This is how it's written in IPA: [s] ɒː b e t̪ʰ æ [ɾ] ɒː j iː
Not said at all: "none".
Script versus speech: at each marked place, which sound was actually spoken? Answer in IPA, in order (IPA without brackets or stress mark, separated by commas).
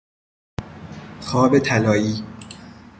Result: x, l